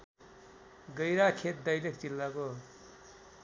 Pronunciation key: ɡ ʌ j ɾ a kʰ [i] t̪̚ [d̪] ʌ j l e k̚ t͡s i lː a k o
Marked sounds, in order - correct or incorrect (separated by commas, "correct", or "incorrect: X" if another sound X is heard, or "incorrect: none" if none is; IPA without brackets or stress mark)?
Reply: incorrect: e, correct